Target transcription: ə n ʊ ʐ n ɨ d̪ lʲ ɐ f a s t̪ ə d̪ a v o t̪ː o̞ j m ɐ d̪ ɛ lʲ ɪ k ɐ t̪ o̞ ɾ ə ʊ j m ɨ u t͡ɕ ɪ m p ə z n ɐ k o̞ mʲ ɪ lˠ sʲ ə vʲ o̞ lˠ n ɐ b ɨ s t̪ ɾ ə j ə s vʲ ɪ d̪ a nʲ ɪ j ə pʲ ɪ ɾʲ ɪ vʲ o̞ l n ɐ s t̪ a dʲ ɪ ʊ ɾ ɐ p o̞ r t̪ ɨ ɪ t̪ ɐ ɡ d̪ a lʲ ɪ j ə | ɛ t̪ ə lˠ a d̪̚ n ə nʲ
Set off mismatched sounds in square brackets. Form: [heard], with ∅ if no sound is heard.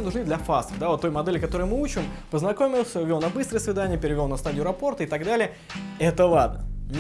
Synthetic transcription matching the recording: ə n ʊ ʐ n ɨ d̪ lʲ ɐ f a s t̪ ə d̪ a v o t̪ː o̞ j m ɐ d̪ ɛ lʲ ɪ k ɐ t̪ o̞ ɾ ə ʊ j m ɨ u t͡ɕ ɪ m p ə z n ɐ k o̞ mʲ ɪ lˠ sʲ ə vʲ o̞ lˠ n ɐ b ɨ s t̪ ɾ ə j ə s vʲ ɪ d̪ a nʲ ɪ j ə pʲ ɪ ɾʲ ɪ vʲ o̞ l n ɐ s t̪ a dʲ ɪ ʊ ɾ ɐ p o̞ r t̪ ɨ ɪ t̪ ɐ ɡ d̪ a lʲ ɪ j ə | ɛ t̪ ə lˠ a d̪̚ n ə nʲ